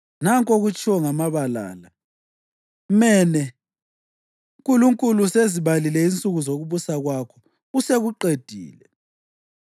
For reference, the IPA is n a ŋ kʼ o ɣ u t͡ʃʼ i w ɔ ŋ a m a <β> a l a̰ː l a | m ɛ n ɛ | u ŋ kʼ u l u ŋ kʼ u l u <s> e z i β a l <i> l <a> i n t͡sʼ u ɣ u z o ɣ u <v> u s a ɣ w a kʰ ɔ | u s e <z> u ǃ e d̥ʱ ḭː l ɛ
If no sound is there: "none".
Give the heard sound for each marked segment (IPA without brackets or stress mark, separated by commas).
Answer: β, s, i, ɛ, β, ɣ